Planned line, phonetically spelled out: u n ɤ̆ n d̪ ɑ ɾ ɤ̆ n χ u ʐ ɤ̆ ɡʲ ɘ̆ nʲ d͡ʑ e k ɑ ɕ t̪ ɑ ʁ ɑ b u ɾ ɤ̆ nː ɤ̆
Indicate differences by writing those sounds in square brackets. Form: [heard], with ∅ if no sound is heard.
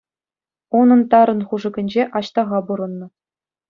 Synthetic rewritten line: u n ɤ̆ n [t̪] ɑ ɾ ɤ̆ n χ u ʐ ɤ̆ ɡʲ ɘ̆ nʲ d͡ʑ e [ʔ] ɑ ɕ t̪ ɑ ʁ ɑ b u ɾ ɤ̆ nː ɤ̆